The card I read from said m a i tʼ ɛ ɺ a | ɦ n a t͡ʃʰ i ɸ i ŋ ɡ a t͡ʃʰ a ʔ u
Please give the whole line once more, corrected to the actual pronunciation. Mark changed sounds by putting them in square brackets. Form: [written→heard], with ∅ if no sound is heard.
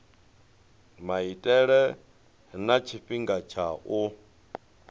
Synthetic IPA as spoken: m a i tʼ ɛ ɺ [a→ɛ] | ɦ n a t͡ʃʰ i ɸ i ŋ ɡ a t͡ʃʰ a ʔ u